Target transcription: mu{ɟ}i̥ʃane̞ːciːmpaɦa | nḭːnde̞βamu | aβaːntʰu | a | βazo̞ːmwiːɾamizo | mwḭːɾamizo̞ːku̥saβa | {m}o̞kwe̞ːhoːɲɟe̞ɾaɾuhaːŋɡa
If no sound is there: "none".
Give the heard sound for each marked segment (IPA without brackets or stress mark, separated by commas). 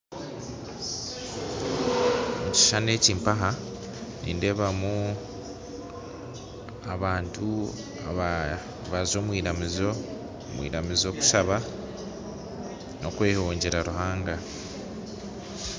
c, n